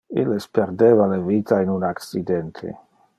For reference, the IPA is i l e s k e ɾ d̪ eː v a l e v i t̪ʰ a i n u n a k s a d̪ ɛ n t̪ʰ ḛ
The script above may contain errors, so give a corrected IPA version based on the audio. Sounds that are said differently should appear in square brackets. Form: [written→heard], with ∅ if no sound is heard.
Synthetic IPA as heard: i l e s [k→p] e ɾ d̪ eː v a l e v i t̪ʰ a i n u n a k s [a→i] d̪ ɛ n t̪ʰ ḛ